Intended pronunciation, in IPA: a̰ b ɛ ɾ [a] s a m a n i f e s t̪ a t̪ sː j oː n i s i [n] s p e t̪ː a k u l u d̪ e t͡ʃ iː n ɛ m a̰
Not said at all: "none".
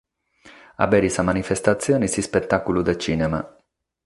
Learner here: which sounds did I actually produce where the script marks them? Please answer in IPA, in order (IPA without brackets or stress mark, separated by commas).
i, none